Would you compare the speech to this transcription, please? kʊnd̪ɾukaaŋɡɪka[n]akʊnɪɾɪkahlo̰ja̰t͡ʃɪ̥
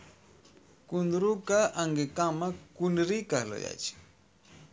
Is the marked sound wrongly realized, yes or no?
yes